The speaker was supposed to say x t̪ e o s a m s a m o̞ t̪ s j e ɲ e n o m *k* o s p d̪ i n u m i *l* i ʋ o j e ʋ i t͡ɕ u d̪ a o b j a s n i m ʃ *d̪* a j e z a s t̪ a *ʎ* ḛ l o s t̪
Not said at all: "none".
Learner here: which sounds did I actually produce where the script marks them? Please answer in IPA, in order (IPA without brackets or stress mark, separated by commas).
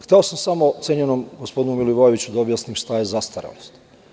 ɡ, l, t̪, ɾ